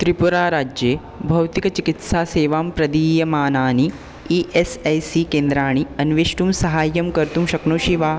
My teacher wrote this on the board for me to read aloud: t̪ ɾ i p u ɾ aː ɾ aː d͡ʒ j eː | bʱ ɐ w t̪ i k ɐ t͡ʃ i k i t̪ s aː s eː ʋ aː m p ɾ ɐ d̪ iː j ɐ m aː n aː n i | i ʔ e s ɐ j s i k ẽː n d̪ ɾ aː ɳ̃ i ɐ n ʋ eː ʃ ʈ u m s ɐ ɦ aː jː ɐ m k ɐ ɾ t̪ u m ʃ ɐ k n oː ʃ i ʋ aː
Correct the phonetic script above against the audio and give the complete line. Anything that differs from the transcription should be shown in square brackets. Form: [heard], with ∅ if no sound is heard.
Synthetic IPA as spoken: t̪ ɾ i p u ɾ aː ɾ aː d͡ʒ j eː | bʱ ɐ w t̪ i k ɐ t͡ʃ i k i t̪ s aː s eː ʋ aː m p ɾ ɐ d̪ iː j ɐ m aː n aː n i | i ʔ e s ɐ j s i k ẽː n d̪ ɾ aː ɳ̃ i ɐ n ʋ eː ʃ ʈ u m s ɐ ɦ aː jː ɐ m k ɐ ɾ t̪ u m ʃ ɐ k n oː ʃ i ʋ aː